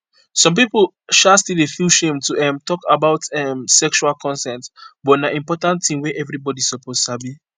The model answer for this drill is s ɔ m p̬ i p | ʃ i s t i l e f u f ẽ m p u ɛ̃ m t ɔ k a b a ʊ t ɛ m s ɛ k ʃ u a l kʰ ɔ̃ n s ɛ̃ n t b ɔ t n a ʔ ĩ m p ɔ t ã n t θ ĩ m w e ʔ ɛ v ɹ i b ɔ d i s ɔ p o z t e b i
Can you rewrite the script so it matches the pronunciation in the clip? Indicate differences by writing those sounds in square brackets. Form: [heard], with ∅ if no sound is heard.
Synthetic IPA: s [ɔ̃] m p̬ i p | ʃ [a] s t i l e f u [ʃ] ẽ m [t] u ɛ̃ m t ɔ k a b a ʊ t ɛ m s ɛ k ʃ u a l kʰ ɔ̃ n s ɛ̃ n t b ɔ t n a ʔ ĩ m p ɔ t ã n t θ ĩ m w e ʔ ɛ v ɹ i b ɔ d i s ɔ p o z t [a] b i

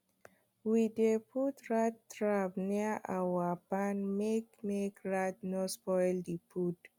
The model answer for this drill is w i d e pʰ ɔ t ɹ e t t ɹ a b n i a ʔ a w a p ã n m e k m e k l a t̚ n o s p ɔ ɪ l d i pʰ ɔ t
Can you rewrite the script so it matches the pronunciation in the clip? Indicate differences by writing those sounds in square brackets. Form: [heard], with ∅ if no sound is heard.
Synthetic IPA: w i d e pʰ [u] t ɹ [a] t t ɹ a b n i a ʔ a w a p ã n m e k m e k [ɹ] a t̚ n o s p ɔ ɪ l d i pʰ [u] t

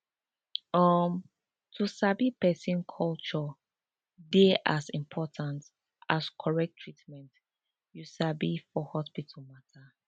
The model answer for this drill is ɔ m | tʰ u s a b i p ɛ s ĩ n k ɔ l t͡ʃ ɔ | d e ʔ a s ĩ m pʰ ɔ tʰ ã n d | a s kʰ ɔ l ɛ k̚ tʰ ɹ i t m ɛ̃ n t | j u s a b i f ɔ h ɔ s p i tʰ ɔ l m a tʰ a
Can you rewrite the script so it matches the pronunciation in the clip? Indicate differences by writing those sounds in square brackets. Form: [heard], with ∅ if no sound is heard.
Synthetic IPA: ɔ m | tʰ u s a b i p ɛ s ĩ n [kʰ] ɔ l t͡ʃ ɔ | d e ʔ a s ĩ m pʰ ɔ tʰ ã n [t] | a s kʰ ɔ [ɹ] ɛ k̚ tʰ ɹ i t m ɛ̃ n t | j u s a b i f ɔ h ɔ s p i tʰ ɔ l m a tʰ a

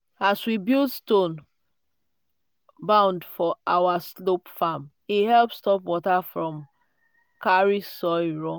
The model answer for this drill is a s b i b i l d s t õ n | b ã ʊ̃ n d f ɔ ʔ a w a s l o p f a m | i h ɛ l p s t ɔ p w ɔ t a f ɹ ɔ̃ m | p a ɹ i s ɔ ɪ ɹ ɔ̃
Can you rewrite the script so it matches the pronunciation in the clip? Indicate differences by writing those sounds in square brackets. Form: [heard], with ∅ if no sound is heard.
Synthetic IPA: a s [w] i b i l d s t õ n | b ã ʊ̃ n d f ɔ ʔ a w a s l o p f a m | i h ɛ l p s t ɔ p w ɔ t a f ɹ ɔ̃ m | [k] a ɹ i s ɔ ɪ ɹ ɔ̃

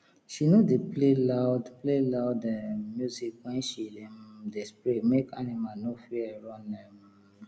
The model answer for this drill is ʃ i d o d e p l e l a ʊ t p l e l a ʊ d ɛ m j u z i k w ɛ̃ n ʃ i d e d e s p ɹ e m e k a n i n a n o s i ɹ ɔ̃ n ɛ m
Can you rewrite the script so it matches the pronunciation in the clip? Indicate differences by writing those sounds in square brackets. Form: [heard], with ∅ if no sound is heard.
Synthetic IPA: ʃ i [n] o d e p l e l a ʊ [d] p l e l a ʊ d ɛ m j u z i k w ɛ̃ n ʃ i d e d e s p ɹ e m e k a n i [m] a n o [f] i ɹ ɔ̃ n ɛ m

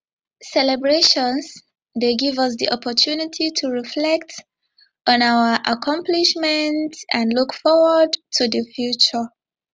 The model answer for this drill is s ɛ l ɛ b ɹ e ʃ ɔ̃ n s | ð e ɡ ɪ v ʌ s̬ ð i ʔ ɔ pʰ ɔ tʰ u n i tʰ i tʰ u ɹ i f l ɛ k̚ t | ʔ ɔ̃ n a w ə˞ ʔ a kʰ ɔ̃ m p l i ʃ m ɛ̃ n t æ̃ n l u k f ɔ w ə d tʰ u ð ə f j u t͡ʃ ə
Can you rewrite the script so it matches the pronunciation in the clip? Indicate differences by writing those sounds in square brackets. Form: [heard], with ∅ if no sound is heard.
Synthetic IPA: s ɛ l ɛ b ɹ e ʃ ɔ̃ n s | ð e ɡ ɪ v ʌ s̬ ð i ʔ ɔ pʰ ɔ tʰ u n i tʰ i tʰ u ɹ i f l ɛ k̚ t | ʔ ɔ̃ n a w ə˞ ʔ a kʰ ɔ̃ m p l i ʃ m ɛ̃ n t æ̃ n l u k f ɔ w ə d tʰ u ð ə f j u t͡ʃ ə

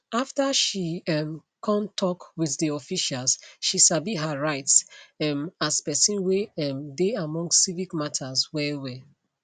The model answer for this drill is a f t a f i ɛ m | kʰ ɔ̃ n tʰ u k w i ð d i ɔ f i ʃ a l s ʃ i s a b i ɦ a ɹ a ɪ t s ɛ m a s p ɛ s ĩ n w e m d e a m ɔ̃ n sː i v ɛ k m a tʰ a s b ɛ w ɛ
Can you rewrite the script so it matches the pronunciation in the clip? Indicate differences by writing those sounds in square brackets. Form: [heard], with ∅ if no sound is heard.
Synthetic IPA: a f t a [ʃ] i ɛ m | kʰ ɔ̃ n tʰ [ɔ] k w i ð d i ɔ f i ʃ a l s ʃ i s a b i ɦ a ɹ a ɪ t s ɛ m a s p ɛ s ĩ n w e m d e a m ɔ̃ [ŋ] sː i v [i] k m a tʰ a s [w] ɛ w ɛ

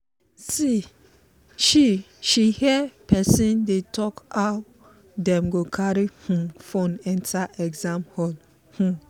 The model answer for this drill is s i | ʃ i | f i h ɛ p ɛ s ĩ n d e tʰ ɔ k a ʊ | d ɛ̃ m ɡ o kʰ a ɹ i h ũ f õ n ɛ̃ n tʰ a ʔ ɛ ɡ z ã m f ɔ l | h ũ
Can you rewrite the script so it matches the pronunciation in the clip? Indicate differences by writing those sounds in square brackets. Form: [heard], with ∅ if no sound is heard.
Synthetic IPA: s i | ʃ i | [ʃ] i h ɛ p ɛ s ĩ n d e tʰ ɔ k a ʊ | d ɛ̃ m ɡ o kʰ a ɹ i h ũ f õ n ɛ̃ n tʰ a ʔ ɛ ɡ z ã m [h] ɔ l | h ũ

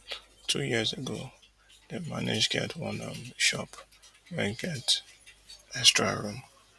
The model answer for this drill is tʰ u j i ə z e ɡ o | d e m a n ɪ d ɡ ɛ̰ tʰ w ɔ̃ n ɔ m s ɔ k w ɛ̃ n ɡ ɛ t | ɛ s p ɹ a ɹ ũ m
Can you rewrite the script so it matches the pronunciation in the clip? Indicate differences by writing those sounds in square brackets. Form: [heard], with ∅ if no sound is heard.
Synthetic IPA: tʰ u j i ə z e ɡ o | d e m a n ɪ [d͡ʒ] ɡ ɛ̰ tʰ w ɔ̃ n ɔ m [ʃ] ɔ [p] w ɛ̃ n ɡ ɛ t | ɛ s [t] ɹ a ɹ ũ m

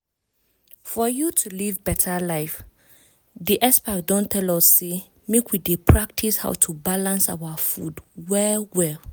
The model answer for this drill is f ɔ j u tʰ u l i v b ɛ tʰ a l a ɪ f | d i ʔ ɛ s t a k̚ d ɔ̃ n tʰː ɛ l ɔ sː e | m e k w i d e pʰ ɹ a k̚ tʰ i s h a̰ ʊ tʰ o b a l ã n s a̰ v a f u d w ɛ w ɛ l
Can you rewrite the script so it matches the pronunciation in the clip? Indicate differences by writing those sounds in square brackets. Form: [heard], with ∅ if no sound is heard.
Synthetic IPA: f ɔ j u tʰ u l i v b ɛ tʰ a l a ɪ f | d i ʔ ɛ s [p] a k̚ d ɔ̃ n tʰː ɛ l ɔ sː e | m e k w i d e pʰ ɹ a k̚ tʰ i s h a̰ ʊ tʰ [u] b a l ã n s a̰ [w] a f u d w ɛ w ɛ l

